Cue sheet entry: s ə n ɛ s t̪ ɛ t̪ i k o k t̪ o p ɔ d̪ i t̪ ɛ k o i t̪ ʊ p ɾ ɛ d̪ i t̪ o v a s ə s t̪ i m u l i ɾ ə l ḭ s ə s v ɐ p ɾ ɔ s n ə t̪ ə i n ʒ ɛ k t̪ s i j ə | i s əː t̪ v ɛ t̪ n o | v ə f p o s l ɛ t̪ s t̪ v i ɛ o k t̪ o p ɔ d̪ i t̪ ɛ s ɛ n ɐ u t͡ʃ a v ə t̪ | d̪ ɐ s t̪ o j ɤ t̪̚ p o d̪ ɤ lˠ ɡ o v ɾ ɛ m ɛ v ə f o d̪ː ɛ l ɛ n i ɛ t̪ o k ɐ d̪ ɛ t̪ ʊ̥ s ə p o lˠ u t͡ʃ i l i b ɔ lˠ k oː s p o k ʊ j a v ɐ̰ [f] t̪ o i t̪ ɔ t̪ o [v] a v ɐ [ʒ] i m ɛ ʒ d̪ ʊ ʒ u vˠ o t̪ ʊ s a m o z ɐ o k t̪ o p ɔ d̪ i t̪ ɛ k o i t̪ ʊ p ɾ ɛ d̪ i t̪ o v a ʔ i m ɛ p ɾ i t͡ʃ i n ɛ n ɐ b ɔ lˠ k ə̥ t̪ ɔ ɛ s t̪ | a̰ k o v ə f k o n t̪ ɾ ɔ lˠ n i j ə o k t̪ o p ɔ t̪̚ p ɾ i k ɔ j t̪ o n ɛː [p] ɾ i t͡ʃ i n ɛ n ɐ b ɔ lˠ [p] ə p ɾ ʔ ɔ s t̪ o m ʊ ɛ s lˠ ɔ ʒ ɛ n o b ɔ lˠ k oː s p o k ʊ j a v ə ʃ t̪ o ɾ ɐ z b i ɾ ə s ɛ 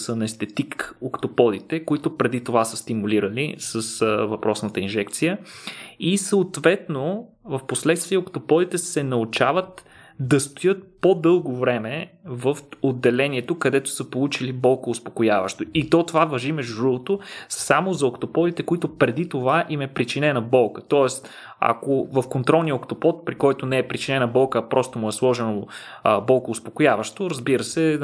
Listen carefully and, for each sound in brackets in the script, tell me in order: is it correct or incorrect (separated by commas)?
incorrect, correct, correct, correct, incorrect